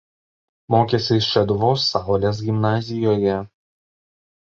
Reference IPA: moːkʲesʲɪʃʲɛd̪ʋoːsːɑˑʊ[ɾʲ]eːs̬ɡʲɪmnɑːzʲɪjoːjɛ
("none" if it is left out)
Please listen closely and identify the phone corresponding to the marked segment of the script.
lʲ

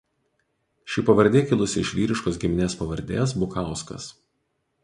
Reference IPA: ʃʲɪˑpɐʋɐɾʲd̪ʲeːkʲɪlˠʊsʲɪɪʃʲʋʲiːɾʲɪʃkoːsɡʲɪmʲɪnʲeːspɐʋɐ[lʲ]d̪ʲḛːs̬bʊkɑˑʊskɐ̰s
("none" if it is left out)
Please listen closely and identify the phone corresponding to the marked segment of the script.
ɾʲ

